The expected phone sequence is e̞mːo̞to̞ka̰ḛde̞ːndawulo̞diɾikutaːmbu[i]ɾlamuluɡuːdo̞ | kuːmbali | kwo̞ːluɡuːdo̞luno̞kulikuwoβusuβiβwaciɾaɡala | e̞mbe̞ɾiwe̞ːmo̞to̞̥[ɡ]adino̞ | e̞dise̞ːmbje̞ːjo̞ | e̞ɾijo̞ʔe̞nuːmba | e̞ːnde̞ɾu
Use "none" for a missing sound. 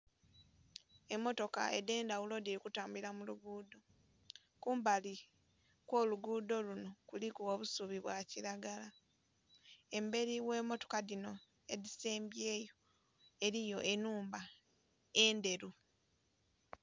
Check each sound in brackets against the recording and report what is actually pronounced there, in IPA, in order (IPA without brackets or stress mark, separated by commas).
i, k